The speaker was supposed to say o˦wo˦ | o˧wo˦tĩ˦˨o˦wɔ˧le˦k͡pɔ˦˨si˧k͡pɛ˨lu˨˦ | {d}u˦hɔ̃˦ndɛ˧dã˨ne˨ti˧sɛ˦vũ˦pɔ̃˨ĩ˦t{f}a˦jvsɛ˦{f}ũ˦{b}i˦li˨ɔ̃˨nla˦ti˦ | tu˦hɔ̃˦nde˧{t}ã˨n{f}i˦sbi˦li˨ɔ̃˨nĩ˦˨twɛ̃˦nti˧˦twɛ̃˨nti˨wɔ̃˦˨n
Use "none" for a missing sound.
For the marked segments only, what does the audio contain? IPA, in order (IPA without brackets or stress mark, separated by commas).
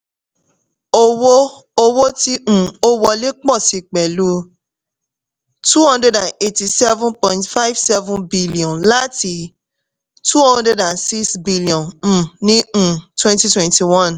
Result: t, f, v, b, d, s